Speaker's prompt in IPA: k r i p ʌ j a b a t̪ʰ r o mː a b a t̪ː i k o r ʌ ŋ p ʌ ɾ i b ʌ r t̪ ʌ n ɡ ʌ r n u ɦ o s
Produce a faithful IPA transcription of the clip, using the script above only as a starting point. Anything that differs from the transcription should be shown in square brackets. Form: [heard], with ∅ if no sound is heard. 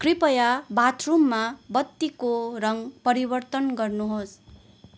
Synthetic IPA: k r i p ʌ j a b a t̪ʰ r [u] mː a b [ʌ] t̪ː i k o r ʌ ŋ p ʌ ɾ i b ʌ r t̪ ʌ n ɡ ʌ r n u ɦ o s